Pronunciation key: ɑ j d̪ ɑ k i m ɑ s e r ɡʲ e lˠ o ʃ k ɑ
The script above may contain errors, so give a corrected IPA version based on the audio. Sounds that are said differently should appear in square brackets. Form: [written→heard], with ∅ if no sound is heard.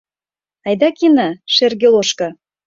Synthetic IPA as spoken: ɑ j d̪ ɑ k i [m→n] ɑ [s→ʃ] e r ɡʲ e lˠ o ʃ k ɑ